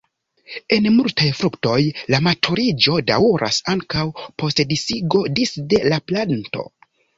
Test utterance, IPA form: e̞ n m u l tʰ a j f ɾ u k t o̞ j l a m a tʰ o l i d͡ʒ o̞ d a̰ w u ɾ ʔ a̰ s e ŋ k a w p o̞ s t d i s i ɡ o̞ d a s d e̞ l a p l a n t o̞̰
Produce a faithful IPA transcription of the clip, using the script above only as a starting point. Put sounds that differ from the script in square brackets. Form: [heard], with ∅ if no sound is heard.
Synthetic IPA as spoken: e̞ n m u l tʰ a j f ɾ u k t o̞ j l a m a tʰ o [ɾ] i d͡ʒ o̞ d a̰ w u ɾ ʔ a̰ s [a] ŋ k a w p o̞ s t d i s i ɡ o̞ d [i] s d e̞ l a p l a n t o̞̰